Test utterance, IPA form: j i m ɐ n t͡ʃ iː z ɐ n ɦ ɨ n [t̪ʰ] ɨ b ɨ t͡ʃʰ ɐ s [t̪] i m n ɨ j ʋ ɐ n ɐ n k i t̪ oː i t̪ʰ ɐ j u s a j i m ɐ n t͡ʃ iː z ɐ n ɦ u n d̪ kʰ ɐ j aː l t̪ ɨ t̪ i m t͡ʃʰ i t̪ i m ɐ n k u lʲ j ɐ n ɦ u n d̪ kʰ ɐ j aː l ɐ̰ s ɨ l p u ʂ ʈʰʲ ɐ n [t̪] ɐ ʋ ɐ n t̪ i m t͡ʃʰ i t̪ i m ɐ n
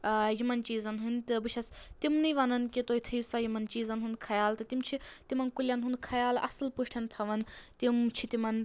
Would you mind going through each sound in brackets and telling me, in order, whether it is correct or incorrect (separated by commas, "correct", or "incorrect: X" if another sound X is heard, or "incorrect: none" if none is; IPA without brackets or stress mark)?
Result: incorrect: t̪, correct, incorrect: t̪ʰ